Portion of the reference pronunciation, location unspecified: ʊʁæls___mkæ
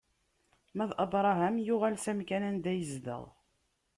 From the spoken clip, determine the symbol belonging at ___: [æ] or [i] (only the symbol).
æ